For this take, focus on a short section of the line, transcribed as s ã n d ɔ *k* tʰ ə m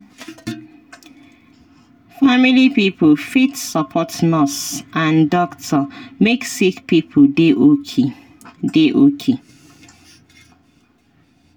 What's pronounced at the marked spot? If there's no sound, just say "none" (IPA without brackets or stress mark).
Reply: k